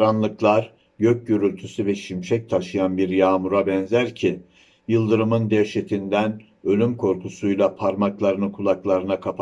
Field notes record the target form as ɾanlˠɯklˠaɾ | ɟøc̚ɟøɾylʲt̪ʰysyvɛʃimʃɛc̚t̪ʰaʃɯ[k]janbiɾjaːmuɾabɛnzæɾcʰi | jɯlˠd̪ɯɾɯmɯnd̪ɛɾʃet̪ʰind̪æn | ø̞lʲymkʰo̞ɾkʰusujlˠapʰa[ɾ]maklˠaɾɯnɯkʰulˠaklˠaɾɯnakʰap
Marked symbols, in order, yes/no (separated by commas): no, yes